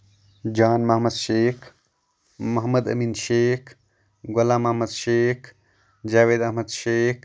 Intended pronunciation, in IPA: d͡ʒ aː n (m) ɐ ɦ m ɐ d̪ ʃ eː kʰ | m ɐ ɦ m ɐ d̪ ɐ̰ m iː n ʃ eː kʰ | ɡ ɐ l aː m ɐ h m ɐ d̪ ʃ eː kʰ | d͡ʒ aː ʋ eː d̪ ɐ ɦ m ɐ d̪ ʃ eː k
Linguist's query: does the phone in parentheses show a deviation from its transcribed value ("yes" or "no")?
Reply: no